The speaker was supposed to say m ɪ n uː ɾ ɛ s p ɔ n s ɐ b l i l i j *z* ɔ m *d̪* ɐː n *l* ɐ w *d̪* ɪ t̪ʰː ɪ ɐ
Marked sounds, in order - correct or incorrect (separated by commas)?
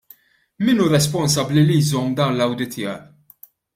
correct, correct, correct, correct